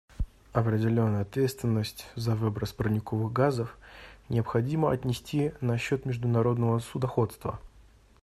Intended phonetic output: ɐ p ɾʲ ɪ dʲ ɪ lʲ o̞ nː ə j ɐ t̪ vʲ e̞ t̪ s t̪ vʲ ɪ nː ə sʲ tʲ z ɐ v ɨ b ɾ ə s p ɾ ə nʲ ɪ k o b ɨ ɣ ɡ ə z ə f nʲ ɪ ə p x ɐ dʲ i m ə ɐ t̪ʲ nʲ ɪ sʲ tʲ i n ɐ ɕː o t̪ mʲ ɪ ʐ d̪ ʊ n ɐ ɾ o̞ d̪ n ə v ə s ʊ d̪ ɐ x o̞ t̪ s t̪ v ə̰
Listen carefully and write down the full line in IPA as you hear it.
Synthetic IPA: ɐ p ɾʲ ɪ dʲ ɪ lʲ o̞ nː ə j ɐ t̪ vʲ e̞ t̪ s t̪ vʲ ɪ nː ə sʲ tʲ z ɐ v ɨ b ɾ ə s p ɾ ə nʲ ɪ k o v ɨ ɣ ɡ a z ə f nʲ ɪ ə p x ɐ dʲ i m ə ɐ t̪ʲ nʲ ɪ sʲ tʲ i n ɐ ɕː o t̪ mʲ ɪ ʐ d̪ ʊ n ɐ ɾ o̞ d̪ n ə v ə s ʊ d̪ ɐ x o̞ t̪ s t̪ v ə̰